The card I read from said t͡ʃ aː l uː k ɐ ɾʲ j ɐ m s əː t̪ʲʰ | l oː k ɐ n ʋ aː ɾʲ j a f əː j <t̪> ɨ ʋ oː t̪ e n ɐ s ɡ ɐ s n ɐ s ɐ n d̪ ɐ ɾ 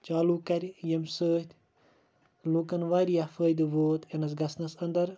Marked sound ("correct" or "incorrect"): incorrect